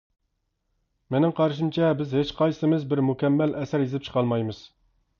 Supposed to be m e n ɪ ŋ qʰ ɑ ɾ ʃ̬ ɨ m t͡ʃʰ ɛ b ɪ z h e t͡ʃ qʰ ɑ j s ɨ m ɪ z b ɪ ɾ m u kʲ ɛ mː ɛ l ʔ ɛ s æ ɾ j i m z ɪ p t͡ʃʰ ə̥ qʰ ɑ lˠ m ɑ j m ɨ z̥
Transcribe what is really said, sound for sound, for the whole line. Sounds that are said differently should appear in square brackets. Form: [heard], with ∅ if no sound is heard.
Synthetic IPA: m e n ɪ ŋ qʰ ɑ ɾ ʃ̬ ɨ m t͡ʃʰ ɛ b ɪ z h e t͡ʃ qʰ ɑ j s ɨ m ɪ z b ɪ ɾ m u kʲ ɛ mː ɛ l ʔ ɛ s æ ɾ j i [∅] z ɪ p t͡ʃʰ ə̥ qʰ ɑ lˠ m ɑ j m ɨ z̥